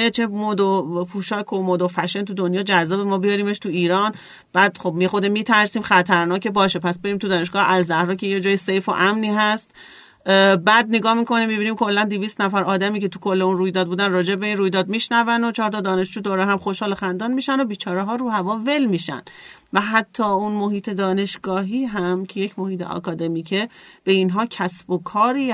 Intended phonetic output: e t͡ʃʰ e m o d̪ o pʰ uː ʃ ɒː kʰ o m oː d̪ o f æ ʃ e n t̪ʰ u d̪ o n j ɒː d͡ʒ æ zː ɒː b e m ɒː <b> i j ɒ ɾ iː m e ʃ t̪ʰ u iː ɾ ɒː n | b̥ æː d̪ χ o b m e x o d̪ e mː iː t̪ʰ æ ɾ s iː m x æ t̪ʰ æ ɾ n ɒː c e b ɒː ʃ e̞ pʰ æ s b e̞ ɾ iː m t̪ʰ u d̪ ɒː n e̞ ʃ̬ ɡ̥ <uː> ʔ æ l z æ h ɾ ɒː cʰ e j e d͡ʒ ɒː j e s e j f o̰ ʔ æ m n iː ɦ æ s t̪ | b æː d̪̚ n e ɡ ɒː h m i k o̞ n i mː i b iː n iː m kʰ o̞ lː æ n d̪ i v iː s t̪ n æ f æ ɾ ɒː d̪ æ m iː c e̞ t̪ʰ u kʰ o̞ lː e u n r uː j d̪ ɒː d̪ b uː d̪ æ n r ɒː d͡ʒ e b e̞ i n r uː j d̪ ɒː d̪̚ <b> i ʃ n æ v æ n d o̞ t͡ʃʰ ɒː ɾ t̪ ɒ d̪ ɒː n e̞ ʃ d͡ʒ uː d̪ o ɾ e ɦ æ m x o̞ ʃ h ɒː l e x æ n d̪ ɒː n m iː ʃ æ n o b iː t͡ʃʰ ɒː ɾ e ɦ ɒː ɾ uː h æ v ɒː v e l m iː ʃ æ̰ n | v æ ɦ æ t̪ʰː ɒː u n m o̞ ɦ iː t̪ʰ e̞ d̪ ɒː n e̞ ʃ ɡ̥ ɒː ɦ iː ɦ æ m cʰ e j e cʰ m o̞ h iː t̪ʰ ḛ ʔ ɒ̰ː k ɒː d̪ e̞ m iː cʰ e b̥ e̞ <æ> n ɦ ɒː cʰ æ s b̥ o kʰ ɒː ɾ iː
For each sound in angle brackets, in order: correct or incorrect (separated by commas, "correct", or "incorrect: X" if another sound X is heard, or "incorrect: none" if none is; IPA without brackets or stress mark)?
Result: correct, incorrect: ɒː, incorrect: m, incorrect: i